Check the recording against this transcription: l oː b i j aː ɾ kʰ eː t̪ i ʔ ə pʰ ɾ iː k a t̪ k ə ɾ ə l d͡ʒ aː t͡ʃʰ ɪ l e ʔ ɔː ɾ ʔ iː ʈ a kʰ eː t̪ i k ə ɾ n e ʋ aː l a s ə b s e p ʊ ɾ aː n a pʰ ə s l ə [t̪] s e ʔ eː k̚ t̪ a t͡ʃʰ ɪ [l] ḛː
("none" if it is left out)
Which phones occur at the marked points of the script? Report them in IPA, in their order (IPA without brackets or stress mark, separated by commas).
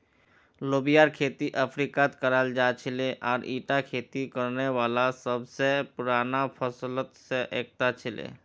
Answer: t̪, l